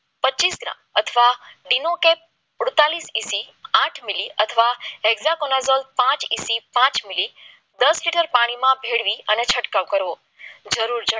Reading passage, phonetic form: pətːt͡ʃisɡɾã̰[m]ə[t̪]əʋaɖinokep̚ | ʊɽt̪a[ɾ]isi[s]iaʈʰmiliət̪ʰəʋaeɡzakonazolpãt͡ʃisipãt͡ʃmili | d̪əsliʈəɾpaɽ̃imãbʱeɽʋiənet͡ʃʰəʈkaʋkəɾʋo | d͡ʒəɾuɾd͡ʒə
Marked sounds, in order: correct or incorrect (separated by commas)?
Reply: correct, incorrect, incorrect, correct